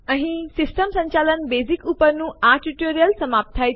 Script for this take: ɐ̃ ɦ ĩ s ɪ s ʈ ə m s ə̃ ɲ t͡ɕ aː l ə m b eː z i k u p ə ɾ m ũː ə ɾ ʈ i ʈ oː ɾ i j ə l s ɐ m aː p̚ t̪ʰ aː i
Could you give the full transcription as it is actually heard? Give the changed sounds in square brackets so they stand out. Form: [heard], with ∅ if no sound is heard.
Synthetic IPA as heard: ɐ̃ ɦ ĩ s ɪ s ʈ ə m s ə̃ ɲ t͡ɕ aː l ə [n] b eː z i k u p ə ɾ [n] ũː [a] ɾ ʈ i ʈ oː ɾ i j ə l s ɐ m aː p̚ t̪ʰ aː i